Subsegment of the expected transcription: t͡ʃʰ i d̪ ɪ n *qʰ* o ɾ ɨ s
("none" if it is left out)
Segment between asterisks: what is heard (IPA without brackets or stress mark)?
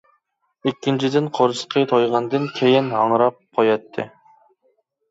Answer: qʰ